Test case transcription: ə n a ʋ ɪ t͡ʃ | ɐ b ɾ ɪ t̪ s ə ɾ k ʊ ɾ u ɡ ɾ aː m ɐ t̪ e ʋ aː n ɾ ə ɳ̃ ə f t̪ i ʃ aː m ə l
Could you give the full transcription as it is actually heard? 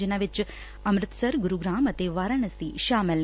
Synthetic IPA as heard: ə n a ʋ ɪ t͡ʃ | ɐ m ɾ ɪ t̪ s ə ɾ ɡ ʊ ɾ u ɡ ɾ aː m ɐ t̪ e ʋ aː ɾ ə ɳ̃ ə s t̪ i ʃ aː m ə l